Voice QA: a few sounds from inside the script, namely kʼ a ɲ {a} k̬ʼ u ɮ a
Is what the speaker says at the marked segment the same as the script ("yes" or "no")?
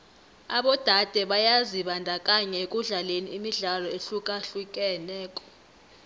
no